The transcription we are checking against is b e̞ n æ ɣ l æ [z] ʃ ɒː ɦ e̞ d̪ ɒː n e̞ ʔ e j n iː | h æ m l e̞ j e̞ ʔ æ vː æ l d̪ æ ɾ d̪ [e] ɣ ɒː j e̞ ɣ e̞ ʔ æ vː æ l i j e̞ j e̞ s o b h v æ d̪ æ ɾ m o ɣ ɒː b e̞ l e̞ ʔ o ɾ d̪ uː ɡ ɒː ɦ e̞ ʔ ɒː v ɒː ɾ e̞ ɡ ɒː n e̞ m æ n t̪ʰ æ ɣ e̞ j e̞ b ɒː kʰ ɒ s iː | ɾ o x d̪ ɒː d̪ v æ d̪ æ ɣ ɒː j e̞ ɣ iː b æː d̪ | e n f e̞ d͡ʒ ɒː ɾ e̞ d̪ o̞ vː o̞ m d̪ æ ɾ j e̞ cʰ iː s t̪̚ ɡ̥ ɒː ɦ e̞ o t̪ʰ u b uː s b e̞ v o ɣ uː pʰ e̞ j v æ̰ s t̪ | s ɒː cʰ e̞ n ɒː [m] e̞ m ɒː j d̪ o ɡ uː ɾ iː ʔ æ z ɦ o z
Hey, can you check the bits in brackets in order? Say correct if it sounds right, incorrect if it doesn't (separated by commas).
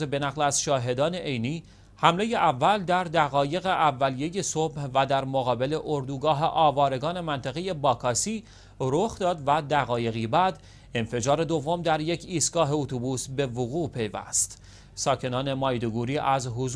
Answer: correct, incorrect, incorrect